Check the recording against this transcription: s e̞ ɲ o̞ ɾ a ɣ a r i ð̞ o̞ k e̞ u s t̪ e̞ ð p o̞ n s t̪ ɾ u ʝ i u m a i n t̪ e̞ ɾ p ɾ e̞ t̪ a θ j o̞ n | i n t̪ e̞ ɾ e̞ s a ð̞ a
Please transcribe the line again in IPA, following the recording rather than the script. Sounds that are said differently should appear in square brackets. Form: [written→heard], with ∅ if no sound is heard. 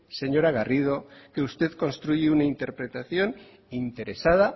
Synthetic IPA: s e̞ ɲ o̞ ɾ a ɣ a r i ð̞ o̞ k e̞ u s t̪ e̞ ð [p→k] o̞ n s t̪ ɾ u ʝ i u [m→n] a i n t̪ e̞ ɾ p ɾ e̞ t̪ a θ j o̞ n | i n t̪ e̞ ɾ e̞ s a ð̞ a